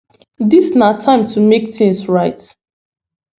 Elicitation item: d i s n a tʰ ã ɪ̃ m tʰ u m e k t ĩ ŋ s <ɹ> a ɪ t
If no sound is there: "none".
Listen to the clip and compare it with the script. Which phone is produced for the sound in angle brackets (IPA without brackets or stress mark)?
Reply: ɹ